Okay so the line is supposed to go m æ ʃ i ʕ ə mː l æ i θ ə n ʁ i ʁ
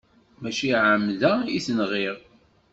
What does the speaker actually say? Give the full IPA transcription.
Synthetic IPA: m æ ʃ i ʕ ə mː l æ i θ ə n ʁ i ʁ